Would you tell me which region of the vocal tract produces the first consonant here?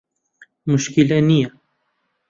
lips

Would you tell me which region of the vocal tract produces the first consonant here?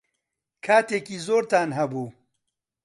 velum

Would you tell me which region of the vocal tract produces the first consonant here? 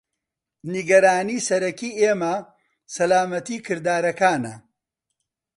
tongue tip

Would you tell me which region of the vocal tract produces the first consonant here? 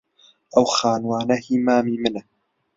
throat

